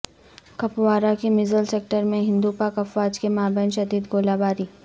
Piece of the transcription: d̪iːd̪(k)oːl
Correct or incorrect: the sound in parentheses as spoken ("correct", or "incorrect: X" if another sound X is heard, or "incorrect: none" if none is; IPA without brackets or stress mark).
incorrect: ɡ